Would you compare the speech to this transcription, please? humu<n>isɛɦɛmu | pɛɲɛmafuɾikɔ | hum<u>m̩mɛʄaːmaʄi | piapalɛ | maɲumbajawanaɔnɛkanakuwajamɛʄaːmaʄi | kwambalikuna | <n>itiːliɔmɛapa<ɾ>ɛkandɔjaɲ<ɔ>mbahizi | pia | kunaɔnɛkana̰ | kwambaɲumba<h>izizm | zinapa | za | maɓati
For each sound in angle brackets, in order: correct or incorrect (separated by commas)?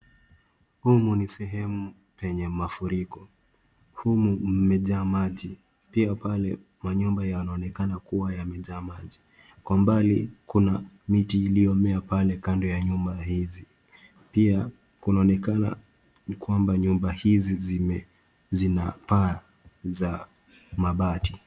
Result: correct, correct, incorrect, incorrect, incorrect, correct